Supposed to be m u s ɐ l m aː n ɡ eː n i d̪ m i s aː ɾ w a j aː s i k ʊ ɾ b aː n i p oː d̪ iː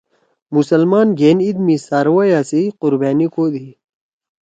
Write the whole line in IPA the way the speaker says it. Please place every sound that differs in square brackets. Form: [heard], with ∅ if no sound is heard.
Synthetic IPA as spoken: m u s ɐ l m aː n ɡ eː n i d̪ m i s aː ɾ w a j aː s i [q] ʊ ɾ b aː n i [k] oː d̪ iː